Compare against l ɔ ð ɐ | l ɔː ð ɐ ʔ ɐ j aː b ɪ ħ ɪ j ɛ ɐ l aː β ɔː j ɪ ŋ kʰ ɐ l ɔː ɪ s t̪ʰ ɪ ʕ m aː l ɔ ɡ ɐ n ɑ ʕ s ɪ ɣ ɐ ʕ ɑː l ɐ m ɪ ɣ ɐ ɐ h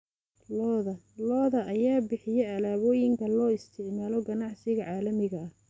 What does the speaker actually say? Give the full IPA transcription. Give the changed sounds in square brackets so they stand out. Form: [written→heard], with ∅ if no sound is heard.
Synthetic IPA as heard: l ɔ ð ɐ | l ɔː ð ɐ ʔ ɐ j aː b ɪ ħ ɪ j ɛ ɐ l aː β ɔː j ɪ ŋ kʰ ɐ l ɔː ɪ s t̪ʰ ɪ ʕ m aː l ɔ ɡ ɐ n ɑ ʕ s ɪ ɣ ɐ ʕ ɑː l ɐ m ɪ ɣ ɐ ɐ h